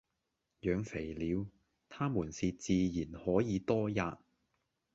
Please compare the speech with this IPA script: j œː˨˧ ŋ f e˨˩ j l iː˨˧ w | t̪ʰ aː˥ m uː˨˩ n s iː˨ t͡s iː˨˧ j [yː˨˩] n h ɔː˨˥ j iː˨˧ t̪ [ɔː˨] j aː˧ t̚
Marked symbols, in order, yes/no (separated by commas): no, no